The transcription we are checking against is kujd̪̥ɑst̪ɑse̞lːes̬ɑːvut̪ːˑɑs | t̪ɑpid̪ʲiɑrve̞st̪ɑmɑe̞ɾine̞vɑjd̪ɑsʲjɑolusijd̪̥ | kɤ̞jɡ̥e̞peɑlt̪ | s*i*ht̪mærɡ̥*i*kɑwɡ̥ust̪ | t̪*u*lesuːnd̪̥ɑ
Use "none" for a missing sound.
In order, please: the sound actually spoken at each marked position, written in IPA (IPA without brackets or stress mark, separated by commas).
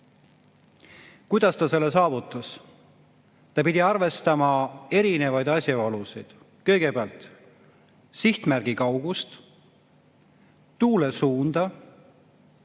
i, i, uː